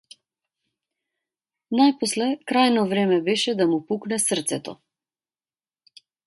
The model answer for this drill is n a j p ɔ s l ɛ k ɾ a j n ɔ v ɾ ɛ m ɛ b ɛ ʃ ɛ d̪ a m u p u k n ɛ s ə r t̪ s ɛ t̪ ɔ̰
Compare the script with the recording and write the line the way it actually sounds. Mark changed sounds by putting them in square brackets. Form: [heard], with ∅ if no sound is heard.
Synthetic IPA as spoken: n a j p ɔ s l ɛ k ɾ a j n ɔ v ɾ ɛ m ɛ b ɛ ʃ ɛ d̪ a m u p u k n ɛ s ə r t̪ s ɛ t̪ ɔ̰